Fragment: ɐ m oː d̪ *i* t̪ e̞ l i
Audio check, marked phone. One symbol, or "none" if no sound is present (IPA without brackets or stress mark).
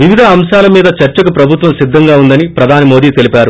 iː